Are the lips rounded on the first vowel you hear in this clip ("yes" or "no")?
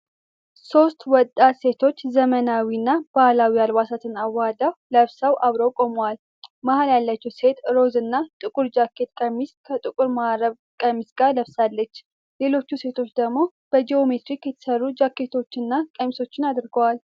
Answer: yes